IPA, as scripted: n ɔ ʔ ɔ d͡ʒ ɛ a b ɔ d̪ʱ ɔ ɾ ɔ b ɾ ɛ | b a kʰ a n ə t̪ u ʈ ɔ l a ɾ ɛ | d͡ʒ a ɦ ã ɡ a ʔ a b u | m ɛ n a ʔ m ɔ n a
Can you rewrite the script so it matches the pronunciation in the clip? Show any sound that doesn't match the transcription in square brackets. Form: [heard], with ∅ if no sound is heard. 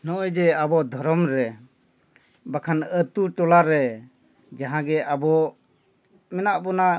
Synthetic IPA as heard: n ɔ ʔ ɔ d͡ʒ ɛ a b ɔ d̪ʱ ɔ ɾ ɔ [m] ɾ ɛ | b a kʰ a n ə t̪ u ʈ ɔ l a ɾ ɛ | d͡ʒ a ɦ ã ɡ [ɛ] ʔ a b [ɔ] | m ɛ n a ʔ [b] ɔ n a